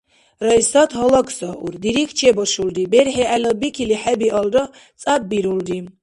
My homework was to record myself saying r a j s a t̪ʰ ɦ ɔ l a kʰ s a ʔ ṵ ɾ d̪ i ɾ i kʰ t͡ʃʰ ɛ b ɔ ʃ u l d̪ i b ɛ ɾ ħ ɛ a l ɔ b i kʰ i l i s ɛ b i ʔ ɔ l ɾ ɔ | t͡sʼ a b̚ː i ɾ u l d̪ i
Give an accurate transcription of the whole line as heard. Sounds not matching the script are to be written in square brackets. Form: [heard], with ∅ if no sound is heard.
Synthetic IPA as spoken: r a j s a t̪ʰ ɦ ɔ l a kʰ s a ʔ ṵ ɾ d̪ i ɾ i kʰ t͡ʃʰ ɛ b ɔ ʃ u l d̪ i b ɛ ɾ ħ ɛ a l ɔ b i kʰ i l i [ħ] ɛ b i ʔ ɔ l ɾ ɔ | t͡sʼ a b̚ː i ɾ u l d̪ i